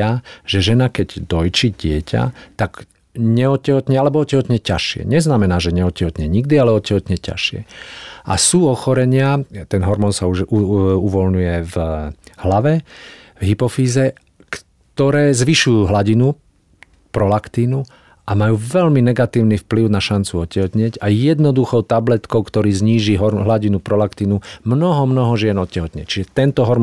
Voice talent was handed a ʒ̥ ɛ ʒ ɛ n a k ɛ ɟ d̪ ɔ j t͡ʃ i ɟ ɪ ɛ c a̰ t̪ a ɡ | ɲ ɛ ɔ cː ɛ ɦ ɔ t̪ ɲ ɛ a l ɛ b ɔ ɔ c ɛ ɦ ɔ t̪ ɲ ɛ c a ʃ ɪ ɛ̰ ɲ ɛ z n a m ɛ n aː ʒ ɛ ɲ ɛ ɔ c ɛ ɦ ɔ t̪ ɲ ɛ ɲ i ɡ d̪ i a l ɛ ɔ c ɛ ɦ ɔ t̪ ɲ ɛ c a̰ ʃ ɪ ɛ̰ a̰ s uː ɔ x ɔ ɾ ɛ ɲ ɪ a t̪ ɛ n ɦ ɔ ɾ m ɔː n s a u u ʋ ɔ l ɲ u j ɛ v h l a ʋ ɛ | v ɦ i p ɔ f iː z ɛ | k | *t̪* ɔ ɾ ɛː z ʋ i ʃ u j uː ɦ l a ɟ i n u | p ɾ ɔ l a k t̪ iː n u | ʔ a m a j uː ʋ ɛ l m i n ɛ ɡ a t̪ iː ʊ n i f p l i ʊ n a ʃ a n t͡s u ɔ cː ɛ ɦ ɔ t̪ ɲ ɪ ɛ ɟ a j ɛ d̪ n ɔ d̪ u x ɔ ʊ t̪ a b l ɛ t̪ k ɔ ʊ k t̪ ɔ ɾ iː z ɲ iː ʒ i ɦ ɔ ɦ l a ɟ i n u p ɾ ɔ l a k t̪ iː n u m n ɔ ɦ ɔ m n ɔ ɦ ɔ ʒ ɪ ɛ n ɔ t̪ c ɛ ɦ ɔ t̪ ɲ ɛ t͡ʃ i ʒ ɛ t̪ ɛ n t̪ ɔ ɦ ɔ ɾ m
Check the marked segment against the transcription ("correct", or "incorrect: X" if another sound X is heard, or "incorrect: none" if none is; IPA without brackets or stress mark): correct